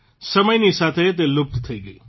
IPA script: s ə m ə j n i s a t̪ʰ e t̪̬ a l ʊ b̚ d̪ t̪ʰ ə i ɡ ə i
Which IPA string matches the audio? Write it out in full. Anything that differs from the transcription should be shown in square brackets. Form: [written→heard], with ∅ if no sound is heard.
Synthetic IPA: s ə m ə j n i s a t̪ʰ e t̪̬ [a→e] l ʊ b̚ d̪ t̪ʰ ə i ɡ ə i